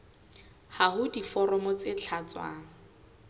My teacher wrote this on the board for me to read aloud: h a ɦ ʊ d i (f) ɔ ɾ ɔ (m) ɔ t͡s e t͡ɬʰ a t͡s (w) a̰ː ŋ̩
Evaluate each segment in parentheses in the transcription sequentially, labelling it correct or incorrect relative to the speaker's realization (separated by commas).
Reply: correct, correct, correct